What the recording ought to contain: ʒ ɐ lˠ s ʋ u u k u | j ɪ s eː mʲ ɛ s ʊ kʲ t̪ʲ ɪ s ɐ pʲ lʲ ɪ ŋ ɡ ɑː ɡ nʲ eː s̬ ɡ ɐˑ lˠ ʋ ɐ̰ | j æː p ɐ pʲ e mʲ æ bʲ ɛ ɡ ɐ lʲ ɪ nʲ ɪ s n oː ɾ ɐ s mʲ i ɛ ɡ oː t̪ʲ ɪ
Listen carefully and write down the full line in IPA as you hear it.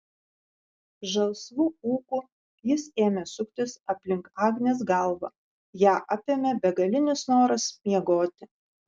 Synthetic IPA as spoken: ʒ ɐ lˠ s ʋ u uː k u | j ɪ s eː mʲ ɛ s ʊ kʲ t̪ʲ ɪ s ɐ pʲ lʲ ɪ ŋ k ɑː ɡ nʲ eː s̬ ɡ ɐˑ lˠ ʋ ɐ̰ | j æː ʔ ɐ pʲ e mʲ ɛ bʲ ɛ ɡ ɐ lʲ ɪ nʲ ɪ s n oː ɾ ɐ s mʲ i ɛ ɡ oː t̪ʲ ɪ

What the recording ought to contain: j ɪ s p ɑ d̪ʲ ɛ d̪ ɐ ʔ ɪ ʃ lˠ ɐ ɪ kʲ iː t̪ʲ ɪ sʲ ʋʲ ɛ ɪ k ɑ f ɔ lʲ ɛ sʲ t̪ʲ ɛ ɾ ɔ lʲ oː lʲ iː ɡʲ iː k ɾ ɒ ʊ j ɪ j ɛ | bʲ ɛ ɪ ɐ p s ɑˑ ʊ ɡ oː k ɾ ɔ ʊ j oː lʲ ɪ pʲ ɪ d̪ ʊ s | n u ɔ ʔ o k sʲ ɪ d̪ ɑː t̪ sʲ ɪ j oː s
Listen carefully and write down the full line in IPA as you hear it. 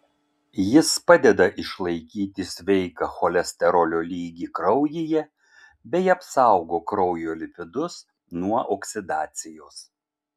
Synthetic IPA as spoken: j ɪ s p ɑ d̪ʲ ɛ d̪ ɐ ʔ ɪ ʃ lˠ ɐ ɪ kʲ iː t̪ʲ ɪ sʲ ʋʲ ɛ ɪ k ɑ x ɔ lʲ ɛ sʲ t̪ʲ ɛ ɾ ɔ lʲ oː lʲ iː ɡʲ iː k ɾ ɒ ʊ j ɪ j ɛ | bʲ ɛ ɪ ɐ p s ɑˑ ʊ ɡ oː k ɾ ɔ ʊ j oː lʲ ɪ pʲ ɪ d̪ ʊ s | n u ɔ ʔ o k sʲ ɪ d̪ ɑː t̪ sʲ ɪ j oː s

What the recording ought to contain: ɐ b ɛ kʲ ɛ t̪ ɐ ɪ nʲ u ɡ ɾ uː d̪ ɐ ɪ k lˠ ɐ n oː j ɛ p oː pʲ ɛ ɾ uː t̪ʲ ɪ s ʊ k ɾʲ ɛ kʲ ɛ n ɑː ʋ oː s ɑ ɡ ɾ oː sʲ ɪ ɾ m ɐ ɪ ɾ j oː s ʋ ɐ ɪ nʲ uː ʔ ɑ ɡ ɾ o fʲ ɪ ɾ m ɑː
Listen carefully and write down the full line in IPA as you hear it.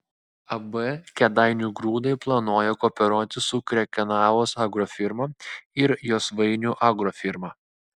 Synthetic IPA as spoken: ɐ b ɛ kʲ ɛ d̪ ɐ ɪ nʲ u ɡ ɾ uː d̪ ɐ ɪ p lˠ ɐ n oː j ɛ k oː pʲ ɛ ɾ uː t̪ʲ ɪ s ʊ k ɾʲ ɛ kʲ ɛ n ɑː ʋ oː s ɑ ɡ ɾ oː fʲ ɪ ɾ m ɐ ɪ ɾ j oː s ʋ ɐ ɪ nʲ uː ʔ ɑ ɡ ɾ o fʲ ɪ ɾ m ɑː

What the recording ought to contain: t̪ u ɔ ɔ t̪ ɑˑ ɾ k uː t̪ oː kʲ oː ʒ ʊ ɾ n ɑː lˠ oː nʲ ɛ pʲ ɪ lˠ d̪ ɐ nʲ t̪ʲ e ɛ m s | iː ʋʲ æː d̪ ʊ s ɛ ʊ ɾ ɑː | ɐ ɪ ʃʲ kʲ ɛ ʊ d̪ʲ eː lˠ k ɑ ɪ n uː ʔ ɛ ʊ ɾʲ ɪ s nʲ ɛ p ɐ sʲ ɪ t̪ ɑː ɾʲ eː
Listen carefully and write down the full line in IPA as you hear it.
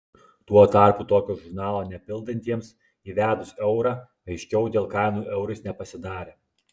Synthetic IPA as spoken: t̪ u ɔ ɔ t̪ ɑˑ ɾ k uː t̪ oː kʲ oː ʒ ʊ ɾ n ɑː lˠ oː nʲ ɛ pʲ ɪ lˠ d̪ ɐ nʲ t̪ʲ i ɛ m s | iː ʋʲ æː d̪ ʊ s ɛ ʊ ɾ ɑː | ɐ ɪ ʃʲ kʲ ɛ ʊ d̪ʲ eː lˠ k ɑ ɪ n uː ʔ ɛ ʊ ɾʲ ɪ s nʲ ɛ p ɐ sʲ ɪ d̪ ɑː ɾʲ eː

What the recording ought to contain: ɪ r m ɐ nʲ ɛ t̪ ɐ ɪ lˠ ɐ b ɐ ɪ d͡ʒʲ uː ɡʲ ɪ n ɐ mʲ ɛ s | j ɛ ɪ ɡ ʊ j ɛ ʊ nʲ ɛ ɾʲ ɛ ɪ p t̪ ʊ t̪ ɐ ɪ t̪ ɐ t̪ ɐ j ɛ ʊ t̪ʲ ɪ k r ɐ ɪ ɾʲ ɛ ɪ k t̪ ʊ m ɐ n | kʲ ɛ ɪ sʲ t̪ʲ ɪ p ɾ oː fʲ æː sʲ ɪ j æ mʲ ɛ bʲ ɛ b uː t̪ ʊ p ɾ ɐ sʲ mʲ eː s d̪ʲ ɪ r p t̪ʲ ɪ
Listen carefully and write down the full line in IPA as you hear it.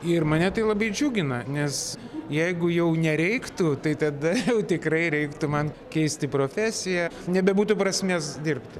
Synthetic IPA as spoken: ɪ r m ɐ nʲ ɛ t̪ ɐ ɪ lˠ ɐ b ɐ ɪ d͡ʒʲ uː ɡʲ ɪ n ɐ nʲ ɛ s | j ɛ ɪ ɡ ʊ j ɛ ʊ nʲ ɛ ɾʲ ɛ ɪ k t̪ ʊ t̪ ɐ ɪ t̪ ɐ d̪ ɐ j ɛ ʊ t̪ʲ ɪ k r ɐ ɪ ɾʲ ɛ ɪ k t̪ ʊ m ɐ n | kʲ ɛ ɪ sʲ t̪ʲ ɪ p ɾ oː fʲ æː sʲ ɪ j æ nʲ ɛ bʲ ɛ b uː t̪ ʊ p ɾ ɐ sʲ mʲ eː s d̪ʲ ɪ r p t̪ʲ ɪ

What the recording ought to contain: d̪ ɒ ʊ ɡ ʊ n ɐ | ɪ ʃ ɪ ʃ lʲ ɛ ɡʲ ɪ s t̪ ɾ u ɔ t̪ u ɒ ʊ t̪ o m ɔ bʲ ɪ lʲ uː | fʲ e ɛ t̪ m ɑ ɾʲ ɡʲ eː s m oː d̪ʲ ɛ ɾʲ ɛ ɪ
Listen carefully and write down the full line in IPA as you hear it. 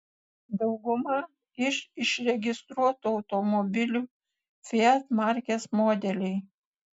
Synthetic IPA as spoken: d̪ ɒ ʊ ɡ ʊ m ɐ | ɪ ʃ ɪ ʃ ɾʲ ɛ ɡʲ ɪ s t̪ ɾ u ɔ t̪ u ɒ ʊ t̪ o m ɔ bʲ ɪ lʲ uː | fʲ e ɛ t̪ m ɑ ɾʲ kʲ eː s m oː d̪ʲ ɛ lʲ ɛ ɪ

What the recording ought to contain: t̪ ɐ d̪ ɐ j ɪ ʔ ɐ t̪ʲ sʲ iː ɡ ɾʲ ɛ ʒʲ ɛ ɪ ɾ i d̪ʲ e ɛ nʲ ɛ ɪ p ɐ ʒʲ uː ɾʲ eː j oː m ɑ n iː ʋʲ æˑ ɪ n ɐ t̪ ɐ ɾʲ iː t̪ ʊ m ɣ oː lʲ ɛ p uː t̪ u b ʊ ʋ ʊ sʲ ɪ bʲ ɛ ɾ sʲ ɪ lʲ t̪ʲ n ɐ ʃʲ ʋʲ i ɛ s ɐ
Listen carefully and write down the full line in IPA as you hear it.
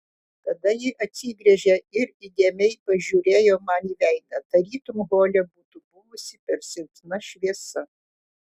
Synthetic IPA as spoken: t̪ ɐ d̪ ɐ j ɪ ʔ ɐ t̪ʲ sʲ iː ɡ ɾʲ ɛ ʒʲ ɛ ɪ ɾ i d̪ʲ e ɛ mʲ ɛ ɪ p ɐ ʒʲ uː ɾʲ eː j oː m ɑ n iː ʋʲ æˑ ɪ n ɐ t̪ ɐ ɾʲ iː t̪ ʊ m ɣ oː lʲ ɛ b uː t̪ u b ʊ ʋ ʊ sʲ ɪ pʲ ɛ ɾ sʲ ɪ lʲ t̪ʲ n ɐ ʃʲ ʋʲ i ɛ s ɐ

